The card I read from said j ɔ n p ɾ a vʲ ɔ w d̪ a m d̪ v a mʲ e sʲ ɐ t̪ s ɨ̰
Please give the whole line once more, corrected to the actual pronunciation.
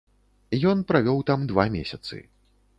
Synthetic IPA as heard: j ɔ n p ɾ a vʲ ɔ w t̪ a m d̪ v a mʲ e sʲ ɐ t̪ s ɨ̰